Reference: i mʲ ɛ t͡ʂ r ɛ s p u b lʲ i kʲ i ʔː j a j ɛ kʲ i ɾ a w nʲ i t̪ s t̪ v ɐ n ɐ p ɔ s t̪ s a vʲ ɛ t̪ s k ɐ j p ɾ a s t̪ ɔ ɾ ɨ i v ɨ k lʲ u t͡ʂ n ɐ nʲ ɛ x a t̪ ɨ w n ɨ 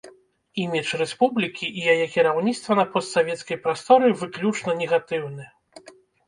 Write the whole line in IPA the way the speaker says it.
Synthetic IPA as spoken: i mʲ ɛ t͡ʂ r ɛ s p u b lʲ i kʲ i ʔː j a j ɛ kʲ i ɾ a w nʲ i t̪ s t̪ v ɐ n ɐ p ɔ s t̪ s a vʲ ɛ t̪ s k ɐ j p ɾ a s t̪ ɔ ɾ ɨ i v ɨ k lʲ u t͡ʂ n ɐ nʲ ɛ ɣ a t̪ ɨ w n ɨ